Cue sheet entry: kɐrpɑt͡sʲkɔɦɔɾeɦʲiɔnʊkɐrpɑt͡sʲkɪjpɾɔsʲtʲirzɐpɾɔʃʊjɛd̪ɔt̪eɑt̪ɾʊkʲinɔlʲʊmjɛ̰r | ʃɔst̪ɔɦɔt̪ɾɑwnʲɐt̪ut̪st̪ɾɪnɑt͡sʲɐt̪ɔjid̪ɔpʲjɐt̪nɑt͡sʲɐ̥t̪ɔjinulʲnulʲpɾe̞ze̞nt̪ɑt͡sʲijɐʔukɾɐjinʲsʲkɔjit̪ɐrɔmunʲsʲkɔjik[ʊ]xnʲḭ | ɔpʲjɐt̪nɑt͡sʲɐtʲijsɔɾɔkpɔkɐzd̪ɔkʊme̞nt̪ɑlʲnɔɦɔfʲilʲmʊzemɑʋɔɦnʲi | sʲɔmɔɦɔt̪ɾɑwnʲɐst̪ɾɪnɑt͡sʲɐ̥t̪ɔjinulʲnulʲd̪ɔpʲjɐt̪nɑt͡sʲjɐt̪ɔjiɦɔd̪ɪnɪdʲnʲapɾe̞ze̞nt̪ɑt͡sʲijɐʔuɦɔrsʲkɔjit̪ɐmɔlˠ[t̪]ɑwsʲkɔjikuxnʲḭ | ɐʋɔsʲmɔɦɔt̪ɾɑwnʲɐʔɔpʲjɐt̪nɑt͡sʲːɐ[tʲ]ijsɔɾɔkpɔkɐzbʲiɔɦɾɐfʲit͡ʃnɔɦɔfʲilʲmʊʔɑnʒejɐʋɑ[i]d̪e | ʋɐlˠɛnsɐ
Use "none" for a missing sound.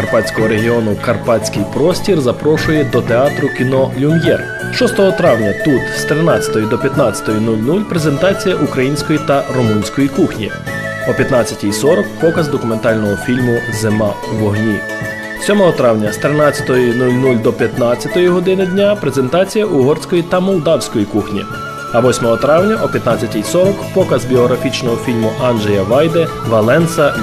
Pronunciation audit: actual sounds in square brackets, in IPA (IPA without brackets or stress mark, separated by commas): u, d̪, tʲ, j